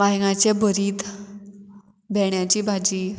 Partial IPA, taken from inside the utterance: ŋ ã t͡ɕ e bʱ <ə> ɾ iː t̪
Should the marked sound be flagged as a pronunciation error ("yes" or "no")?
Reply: no